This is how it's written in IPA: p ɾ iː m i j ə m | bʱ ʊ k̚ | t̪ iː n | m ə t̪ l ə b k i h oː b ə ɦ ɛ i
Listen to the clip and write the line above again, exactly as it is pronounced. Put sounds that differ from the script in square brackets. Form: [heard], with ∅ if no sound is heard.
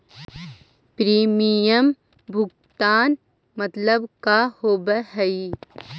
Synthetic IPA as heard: p ɾ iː m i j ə m | bʱ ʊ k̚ | t̪ [aː] n | m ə t̪ l ə b k [a] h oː b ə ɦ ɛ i